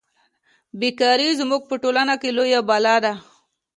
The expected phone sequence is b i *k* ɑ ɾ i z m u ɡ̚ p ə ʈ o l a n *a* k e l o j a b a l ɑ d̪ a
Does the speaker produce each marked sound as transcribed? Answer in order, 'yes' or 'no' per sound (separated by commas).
yes, yes